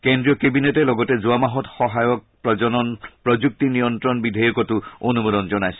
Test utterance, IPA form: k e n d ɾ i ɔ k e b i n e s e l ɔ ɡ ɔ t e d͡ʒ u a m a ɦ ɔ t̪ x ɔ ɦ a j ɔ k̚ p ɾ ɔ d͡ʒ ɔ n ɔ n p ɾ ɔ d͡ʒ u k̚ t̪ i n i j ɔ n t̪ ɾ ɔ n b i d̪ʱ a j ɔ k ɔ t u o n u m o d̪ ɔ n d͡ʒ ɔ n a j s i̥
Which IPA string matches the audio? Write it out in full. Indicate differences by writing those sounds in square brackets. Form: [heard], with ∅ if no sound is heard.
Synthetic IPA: k e n d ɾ i ɔ k e b i n e [t] e l ɔ ɡ ɔ t e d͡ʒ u a m a ɦ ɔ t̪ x ɔ ɦ a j ɔ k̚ p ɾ ɔ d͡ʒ ɔ n ɔ n p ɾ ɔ d͡ʒ u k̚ t̪ i n i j ɔ n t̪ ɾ ɔ n b i d̪ʱ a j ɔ k ɔ t u o n u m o d̪ ɔ n d͡ʒ ɔ n a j s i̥